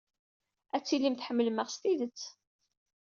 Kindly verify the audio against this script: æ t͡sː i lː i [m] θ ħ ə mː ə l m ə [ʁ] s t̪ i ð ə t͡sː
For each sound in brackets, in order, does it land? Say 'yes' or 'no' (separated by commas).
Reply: yes, yes